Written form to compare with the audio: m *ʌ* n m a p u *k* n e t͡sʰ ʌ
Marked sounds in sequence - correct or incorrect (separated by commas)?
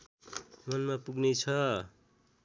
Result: correct, incorrect